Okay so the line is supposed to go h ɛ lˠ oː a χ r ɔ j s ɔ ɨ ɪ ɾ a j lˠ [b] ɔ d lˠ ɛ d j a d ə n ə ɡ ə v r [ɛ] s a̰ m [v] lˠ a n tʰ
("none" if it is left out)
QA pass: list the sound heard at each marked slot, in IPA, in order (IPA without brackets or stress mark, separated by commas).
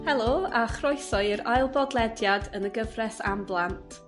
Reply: b, ɛ, b